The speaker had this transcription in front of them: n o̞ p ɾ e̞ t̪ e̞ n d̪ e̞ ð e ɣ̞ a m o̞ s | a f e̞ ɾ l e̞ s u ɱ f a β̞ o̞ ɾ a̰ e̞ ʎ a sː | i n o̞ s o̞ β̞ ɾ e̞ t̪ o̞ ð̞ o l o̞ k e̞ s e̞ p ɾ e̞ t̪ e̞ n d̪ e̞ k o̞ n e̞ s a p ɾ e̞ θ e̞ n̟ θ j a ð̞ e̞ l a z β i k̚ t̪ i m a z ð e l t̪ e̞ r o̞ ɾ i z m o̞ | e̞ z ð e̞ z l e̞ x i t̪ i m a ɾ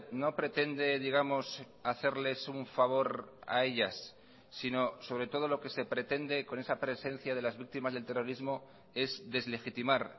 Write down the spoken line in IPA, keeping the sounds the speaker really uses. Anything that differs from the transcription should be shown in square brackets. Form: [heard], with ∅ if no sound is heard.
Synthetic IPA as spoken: n o̞ p ɾ e̞ t̪ e̞ n d̪ e̞ ð [i] ɣ̞ a m o̞ s | a [θ] e̞ ɾ l e̞ s u ɱ f a β̞ o̞ ɾ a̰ e̞ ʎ a sː | i n o̞ s o̞ β̞ ɾ e̞ t̪ o̞ ð̞ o l o̞ k e̞ s e̞ p ɾ e̞ t̪ e̞ n d̪ e̞ k o̞ n e̞ s a p ɾ e̞ [s] e̞ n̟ θ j a ð̞ e̞ l a z β i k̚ t̪ i m a z ð e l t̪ e̞ r o̞ ɾ i z m o̞ | e̞ z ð e̞ z l e̞ x i t̪ i m a ɾ